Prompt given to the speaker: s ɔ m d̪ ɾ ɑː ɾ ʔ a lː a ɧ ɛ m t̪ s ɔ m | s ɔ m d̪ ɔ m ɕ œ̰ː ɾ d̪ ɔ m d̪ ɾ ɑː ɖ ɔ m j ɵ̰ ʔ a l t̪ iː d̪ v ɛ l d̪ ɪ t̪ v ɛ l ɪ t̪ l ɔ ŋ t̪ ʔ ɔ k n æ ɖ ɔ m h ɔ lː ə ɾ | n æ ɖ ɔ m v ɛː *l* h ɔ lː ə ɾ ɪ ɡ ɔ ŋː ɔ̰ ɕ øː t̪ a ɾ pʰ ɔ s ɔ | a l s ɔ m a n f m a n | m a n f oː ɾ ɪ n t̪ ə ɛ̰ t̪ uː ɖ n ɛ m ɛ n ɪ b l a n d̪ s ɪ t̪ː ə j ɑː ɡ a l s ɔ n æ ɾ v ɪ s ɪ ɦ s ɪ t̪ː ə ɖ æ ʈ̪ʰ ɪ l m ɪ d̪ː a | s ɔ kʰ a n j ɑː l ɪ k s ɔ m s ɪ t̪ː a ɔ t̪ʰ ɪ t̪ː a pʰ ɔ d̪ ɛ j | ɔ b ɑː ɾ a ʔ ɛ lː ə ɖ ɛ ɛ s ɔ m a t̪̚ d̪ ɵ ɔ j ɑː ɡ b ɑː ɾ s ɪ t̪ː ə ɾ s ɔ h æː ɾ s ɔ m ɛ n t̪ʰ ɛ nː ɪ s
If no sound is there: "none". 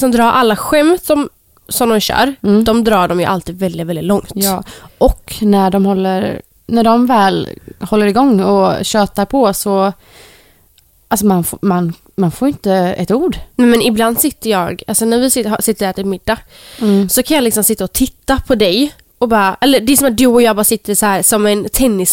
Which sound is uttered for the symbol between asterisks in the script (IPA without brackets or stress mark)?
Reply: l